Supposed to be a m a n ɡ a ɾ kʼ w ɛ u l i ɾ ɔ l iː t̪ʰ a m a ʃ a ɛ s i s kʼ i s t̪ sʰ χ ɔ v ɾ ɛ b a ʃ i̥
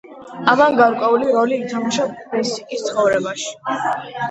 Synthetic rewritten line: a m a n ɡ a ɾ kʼ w ɛ u l i ɾ ɔ l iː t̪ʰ a m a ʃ a ɛ s i kʼ i s t̪ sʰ χ ɔ v ɾ ɛ b a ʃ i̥